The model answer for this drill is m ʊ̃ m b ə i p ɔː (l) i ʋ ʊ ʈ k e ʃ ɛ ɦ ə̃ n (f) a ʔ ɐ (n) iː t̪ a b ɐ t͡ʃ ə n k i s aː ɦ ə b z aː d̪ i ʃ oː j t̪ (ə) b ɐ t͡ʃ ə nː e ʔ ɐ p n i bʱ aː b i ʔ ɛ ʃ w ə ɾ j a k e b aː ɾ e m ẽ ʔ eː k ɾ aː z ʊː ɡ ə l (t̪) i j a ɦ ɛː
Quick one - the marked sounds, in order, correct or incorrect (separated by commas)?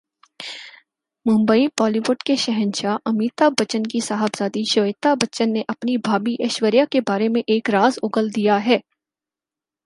correct, incorrect, incorrect, incorrect, incorrect